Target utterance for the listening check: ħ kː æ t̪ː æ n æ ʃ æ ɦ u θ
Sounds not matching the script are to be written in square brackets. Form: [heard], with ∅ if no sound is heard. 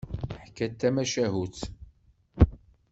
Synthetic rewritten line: ħ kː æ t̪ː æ [m] æ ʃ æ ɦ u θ